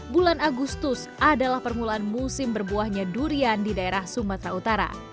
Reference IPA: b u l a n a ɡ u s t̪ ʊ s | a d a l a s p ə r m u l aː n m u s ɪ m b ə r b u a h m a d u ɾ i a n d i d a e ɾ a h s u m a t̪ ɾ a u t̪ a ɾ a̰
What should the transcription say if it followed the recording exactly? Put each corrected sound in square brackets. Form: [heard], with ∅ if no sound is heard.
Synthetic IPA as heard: b u l a n a ɡ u s t̪ ʊ s | a d a l a [h] p ə r m u l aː n m u s ɪ m b ə r b u a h [ɲ] a d u ɾ i a n d i d a e ɾ a h s u m a t̪ ɾ a u t̪ a ɾ a̰